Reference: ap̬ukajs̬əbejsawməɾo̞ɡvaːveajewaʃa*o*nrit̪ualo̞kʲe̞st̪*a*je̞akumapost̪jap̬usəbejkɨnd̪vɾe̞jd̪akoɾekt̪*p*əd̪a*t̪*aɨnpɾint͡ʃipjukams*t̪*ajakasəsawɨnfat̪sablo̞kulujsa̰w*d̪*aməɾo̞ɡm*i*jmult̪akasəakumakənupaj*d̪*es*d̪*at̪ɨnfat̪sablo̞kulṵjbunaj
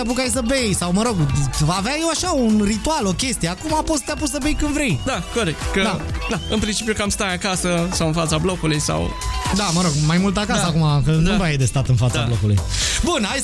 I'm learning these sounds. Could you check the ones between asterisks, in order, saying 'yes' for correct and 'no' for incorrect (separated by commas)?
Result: no, no, no, no, yes, yes, no, yes, no